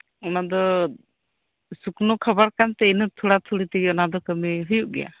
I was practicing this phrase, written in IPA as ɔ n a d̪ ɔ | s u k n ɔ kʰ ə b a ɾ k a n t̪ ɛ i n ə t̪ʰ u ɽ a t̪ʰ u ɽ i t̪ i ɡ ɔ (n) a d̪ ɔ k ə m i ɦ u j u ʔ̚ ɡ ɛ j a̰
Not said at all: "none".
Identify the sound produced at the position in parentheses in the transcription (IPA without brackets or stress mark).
n